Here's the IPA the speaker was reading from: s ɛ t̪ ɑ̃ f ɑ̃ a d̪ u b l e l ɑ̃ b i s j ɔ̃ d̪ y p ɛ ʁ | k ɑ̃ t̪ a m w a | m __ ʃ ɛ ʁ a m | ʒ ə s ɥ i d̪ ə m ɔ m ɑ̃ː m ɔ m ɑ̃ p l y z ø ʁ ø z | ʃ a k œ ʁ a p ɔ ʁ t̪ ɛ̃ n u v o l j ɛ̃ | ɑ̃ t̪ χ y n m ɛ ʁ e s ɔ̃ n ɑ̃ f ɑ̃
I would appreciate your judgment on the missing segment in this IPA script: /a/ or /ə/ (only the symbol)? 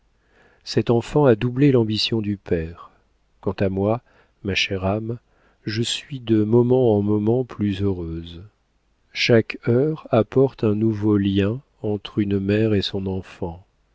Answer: a